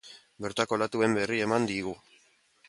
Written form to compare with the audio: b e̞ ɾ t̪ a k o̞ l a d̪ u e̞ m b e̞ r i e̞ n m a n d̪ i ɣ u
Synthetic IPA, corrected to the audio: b e̞ ɾ t̪ a k o̞ l a t̪ u e̞ m b e̞ r i e̞ m a n d̪ i ɣ u